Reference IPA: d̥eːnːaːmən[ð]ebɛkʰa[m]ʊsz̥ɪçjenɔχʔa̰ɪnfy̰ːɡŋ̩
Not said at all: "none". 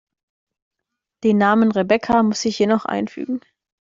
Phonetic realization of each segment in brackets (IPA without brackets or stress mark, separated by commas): ʁ, m